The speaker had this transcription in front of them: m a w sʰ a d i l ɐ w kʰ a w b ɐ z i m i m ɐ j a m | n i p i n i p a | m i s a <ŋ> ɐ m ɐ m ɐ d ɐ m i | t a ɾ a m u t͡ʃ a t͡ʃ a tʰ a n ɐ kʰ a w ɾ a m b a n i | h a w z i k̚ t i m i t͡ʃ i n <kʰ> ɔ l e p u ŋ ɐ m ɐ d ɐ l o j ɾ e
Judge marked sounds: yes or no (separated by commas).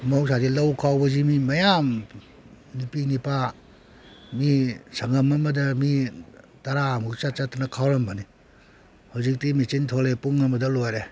yes, no